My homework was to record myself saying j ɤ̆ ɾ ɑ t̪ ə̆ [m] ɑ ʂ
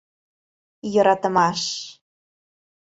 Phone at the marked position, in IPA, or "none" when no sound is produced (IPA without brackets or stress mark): m